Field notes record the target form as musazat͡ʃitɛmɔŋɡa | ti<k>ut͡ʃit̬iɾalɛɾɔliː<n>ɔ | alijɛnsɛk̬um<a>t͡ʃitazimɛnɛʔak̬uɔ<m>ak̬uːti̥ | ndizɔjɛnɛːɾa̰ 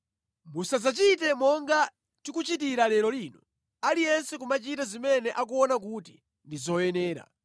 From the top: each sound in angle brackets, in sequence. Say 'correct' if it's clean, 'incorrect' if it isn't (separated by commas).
correct, correct, correct, incorrect